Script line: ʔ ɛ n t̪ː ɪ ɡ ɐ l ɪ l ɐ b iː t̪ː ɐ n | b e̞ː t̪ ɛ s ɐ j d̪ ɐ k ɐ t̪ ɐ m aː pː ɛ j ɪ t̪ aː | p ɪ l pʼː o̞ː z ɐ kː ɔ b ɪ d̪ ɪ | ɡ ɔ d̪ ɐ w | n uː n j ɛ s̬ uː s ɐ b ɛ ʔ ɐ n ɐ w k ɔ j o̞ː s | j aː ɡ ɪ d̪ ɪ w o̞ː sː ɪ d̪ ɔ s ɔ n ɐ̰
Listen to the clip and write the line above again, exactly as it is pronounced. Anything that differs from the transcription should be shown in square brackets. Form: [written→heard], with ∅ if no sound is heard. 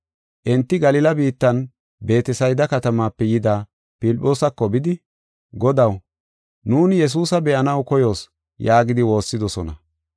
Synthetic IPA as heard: ʔ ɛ n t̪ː ɪ ɡ ɐ l ɪ l ɐ b iː t̪ː ɐ n | b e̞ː t̪ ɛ s ɐ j d̪ ɐ k ɐ t̪ ɐ m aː pː ɛ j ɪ [t̪→d̪] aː | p ɪ l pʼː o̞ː [z→s] ɐ kː ɔ b ɪ d̪ ɪ | ɡ ɔ d̪ ɐ w | n uː n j ɛ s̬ uː s ɐ b ɛ ʔ ɐ n ɐ w k ɔ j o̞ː s | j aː ɡ ɪ d̪ ɪ w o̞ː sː ɪ d̪ ɔ s ɔ n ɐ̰